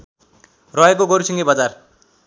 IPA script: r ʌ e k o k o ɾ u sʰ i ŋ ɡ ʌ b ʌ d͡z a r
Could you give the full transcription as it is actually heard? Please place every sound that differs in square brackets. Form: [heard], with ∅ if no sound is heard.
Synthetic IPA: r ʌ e k o [ɡ] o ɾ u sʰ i ŋ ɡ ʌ b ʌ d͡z a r